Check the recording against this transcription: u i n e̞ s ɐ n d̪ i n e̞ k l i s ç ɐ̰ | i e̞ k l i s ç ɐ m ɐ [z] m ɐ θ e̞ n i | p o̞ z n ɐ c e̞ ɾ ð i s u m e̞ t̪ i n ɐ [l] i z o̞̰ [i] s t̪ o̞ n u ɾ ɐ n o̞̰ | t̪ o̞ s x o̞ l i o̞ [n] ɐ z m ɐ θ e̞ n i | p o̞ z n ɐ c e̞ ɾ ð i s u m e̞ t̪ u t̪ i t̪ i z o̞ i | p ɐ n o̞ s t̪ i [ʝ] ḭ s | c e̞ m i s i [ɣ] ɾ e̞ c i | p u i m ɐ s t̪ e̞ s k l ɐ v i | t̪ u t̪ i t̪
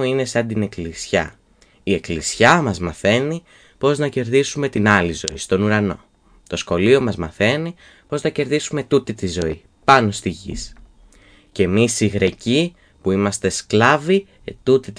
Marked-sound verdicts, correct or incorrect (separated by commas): correct, correct, correct, incorrect, correct, correct